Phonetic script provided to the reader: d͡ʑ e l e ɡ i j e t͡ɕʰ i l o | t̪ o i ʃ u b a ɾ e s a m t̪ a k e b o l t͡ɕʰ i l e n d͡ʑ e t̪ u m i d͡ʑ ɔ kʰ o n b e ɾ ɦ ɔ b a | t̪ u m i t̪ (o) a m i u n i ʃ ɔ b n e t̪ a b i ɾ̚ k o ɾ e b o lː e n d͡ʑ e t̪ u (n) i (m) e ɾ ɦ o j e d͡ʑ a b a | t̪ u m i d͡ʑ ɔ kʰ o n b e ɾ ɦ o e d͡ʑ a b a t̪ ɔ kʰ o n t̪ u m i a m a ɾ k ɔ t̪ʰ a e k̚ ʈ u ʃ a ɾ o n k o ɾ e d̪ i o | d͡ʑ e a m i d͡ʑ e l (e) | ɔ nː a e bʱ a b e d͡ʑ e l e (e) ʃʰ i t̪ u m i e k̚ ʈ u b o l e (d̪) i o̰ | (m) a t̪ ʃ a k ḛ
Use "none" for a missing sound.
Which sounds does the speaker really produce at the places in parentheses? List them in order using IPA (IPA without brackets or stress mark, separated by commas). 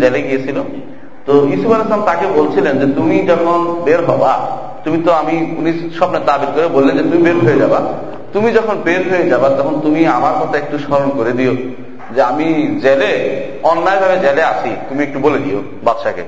o, m, b, e, a, d̪, b